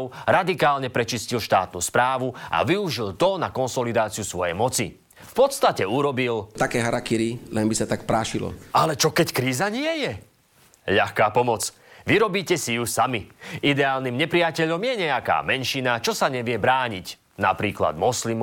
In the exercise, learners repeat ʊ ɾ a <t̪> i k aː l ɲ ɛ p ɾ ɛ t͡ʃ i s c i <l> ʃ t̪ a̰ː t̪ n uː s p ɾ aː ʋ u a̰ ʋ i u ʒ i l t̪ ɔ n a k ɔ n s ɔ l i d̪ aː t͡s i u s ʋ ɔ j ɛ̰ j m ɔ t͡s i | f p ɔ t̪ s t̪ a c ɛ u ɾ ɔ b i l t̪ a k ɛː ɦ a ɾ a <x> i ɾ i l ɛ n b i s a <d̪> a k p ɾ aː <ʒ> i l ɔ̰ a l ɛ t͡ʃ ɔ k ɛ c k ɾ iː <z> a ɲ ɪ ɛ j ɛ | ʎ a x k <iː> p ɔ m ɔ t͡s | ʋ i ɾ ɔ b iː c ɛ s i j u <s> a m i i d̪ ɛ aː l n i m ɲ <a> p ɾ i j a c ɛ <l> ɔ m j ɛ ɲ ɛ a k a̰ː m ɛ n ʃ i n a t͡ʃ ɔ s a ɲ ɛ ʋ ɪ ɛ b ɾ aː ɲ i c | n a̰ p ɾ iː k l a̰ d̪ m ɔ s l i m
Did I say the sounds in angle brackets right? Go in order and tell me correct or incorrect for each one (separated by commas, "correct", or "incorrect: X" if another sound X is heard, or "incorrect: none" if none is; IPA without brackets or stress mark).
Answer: incorrect: d̪, correct, incorrect: k, incorrect: t̪, incorrect: ʃ, correct, incorrect: aː, correct, incorrect: ɛ, incorrect: ʎ